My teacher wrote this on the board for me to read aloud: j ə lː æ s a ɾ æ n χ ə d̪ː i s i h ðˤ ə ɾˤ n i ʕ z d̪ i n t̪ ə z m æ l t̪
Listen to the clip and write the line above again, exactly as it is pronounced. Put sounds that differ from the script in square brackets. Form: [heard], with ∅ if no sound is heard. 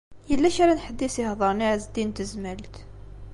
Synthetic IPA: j ə lː æ [ʃ] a ɾ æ n [ħ] ə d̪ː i s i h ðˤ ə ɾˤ n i ʕ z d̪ i n t̪ ə z m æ l t̪